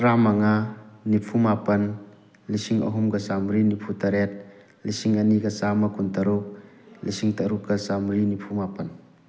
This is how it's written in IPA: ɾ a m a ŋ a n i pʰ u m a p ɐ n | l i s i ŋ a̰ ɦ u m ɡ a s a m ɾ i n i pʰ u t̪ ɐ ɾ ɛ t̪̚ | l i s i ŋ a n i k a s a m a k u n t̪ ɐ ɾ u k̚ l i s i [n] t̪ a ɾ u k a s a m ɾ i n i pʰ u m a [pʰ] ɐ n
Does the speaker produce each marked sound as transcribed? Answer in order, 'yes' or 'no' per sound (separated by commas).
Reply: no, no